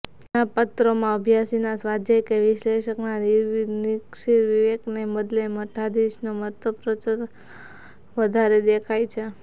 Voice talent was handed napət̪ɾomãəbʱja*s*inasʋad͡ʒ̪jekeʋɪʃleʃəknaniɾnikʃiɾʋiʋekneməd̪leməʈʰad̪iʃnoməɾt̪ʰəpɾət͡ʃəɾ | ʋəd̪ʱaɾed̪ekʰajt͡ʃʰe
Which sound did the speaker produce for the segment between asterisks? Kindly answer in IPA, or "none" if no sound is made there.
s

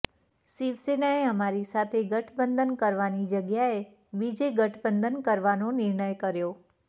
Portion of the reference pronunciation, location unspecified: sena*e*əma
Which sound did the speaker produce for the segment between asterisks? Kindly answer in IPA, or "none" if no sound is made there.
e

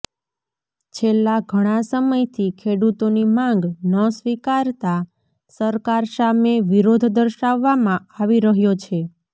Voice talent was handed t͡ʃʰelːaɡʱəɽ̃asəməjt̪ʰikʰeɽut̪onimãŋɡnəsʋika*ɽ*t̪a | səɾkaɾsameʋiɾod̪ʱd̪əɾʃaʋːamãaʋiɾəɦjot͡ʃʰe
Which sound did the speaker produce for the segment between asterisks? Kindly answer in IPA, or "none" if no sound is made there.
ɾ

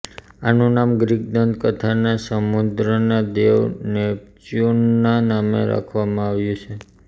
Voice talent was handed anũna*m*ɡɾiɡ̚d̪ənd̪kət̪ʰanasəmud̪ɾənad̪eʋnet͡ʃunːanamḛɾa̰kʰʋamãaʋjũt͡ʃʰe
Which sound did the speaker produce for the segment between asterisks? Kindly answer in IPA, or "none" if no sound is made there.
m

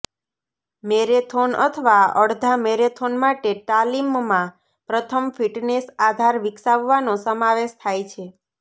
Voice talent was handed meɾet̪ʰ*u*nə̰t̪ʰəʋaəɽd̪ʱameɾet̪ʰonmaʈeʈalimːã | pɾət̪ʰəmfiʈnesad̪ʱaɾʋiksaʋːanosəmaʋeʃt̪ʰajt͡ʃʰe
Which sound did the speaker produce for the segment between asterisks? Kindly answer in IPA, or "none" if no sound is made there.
o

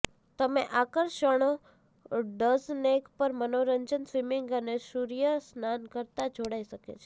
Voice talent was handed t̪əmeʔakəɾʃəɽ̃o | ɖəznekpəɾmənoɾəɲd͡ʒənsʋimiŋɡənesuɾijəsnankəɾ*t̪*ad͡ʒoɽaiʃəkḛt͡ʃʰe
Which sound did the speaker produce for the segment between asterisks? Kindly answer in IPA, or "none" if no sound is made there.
t̪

